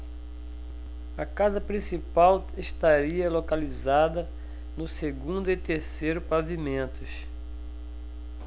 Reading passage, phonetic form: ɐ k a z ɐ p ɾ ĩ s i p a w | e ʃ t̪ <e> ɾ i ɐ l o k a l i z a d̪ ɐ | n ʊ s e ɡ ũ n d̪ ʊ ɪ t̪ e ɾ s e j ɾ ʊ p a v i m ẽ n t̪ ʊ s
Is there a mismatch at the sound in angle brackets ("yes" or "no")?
yes